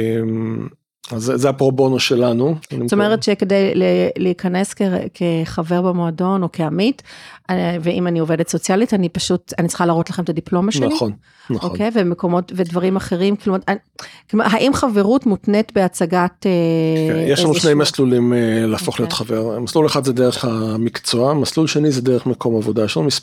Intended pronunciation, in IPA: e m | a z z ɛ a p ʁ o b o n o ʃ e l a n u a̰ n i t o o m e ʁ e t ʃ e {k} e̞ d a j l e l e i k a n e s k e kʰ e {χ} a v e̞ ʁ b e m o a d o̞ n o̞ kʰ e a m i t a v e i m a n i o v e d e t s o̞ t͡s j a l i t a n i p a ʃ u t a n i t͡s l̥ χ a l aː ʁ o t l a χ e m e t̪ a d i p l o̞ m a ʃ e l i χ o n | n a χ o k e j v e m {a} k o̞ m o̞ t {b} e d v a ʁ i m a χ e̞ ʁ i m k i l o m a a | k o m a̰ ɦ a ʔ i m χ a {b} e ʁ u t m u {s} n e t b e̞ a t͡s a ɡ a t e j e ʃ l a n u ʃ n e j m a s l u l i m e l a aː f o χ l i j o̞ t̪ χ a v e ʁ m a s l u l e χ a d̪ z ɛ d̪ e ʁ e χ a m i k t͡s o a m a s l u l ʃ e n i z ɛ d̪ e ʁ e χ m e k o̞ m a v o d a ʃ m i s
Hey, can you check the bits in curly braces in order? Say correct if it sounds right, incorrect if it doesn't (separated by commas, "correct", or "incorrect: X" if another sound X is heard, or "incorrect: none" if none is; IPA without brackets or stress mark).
correct, correct, incorrect: e, incorrect: v, incorrect: v, incorrect: t